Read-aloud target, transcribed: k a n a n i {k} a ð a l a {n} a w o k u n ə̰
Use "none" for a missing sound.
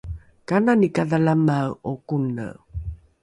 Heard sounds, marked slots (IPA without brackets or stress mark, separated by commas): k, m